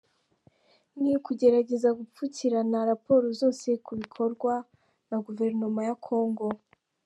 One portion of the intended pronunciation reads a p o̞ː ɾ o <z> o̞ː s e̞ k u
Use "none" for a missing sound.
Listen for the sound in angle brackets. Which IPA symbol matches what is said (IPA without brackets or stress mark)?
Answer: z